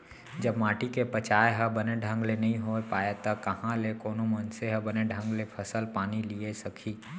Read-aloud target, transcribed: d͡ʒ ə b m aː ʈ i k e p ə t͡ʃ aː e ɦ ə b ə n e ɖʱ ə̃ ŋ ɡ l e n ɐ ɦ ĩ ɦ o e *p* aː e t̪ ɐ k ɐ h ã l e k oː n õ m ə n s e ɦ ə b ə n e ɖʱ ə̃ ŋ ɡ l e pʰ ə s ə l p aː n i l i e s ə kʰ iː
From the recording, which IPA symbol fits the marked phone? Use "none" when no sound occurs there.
p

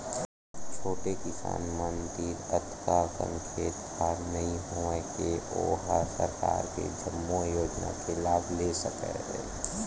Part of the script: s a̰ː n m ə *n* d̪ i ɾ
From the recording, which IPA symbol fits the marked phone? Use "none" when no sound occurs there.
n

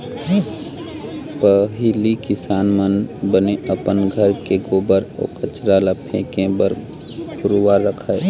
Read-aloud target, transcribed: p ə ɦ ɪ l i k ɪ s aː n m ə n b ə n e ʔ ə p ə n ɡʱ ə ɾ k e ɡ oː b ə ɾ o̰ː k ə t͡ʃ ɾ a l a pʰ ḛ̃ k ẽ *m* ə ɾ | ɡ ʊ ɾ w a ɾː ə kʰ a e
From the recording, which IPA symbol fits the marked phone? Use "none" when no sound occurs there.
b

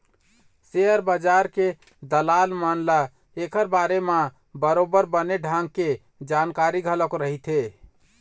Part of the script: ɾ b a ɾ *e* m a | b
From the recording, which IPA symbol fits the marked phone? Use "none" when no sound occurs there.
e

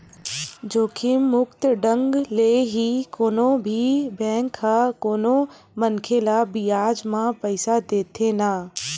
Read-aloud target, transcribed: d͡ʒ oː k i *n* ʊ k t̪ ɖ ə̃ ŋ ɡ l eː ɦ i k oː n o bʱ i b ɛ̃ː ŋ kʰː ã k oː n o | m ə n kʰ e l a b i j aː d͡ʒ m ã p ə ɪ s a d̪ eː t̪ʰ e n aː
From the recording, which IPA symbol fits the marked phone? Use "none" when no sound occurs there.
m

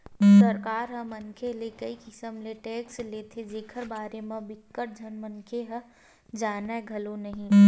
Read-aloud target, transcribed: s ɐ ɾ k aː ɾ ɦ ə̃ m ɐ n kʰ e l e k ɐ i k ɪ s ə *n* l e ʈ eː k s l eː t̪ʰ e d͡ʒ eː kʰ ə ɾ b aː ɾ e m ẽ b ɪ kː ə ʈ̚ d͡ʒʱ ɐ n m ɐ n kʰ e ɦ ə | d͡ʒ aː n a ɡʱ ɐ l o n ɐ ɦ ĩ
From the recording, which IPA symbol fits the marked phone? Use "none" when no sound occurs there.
m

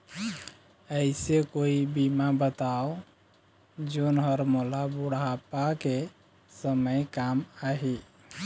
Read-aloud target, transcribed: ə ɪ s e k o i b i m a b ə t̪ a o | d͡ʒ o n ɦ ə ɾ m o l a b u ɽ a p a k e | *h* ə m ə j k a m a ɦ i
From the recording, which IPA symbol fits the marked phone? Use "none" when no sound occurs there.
s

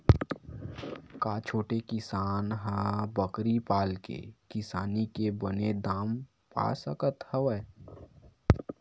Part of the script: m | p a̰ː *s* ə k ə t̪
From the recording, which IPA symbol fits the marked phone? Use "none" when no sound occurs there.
s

